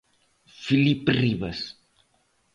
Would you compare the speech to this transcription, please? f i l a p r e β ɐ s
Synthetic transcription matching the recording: f i l i p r i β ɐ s